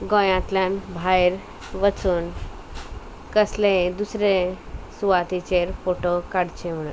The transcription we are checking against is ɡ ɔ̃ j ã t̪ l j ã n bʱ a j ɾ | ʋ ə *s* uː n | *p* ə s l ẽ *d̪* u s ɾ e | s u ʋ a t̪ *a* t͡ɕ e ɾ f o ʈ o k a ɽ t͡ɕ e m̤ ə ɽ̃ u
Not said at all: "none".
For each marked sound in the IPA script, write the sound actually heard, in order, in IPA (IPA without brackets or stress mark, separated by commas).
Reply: t͡s, k, d̪, i